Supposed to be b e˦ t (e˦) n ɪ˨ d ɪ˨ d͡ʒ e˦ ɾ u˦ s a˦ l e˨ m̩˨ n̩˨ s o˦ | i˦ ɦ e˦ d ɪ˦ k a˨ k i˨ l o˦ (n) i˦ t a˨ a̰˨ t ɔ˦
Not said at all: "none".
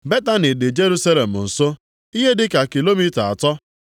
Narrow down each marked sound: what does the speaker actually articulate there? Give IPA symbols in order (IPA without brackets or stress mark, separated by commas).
a˦, m